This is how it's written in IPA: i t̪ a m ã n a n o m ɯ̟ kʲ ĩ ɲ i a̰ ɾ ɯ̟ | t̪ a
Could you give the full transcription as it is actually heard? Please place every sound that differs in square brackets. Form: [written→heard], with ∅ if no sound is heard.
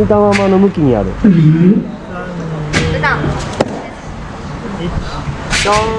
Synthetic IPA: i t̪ a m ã [n→m] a n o m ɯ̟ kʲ [ĩ→i] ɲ i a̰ ɾ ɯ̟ | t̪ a